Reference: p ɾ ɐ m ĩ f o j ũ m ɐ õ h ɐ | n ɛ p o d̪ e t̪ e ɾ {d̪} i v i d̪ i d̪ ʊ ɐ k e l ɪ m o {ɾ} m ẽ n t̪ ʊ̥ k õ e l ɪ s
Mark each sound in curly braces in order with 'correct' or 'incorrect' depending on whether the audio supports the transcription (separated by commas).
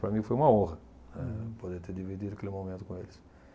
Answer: correct, incorrect